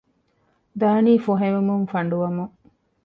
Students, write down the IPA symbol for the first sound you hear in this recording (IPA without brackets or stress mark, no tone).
d̪